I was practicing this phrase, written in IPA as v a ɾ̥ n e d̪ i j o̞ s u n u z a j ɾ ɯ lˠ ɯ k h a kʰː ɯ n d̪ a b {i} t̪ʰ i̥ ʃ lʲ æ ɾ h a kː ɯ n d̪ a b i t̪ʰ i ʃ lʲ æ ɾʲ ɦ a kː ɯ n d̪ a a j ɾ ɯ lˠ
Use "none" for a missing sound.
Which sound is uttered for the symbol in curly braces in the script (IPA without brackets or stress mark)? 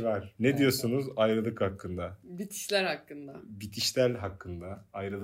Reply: i